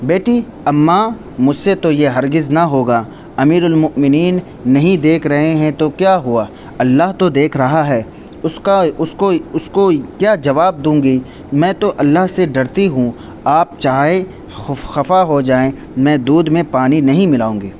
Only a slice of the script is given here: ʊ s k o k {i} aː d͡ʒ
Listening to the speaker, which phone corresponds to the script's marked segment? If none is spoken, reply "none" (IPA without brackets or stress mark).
j